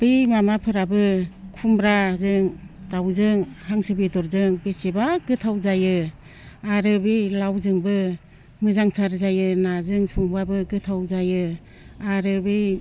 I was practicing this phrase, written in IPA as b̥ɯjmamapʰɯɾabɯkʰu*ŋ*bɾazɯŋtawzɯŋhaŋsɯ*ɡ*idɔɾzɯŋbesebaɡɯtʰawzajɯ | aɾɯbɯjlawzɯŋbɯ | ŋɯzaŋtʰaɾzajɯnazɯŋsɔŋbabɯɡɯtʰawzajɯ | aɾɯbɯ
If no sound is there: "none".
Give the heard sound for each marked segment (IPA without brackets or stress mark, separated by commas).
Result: m, b